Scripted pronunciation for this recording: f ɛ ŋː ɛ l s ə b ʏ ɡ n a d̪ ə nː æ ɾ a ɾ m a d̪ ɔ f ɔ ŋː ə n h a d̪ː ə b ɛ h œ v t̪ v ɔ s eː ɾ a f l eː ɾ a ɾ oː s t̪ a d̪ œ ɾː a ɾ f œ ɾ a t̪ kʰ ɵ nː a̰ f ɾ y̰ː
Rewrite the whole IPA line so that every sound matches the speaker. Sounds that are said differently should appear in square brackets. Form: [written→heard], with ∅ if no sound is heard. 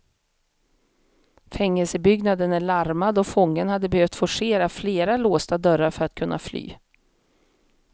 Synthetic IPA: f ɛ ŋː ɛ l s ə b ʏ ɡ n a d̪ ə [nː→n] æ [ɾ→ɭ] a ɾ m a d̪ ɔ f ɔ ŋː ə n h a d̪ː ə b ɛ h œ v t̪ [v→f] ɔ [s→ʂ] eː ɾ a f l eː ɾ a [ɾ→l] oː s t̪ a d̪ œ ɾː a ɾ f œ ɾ a t̪ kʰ ɵ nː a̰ f [ɾ→l] y̰ː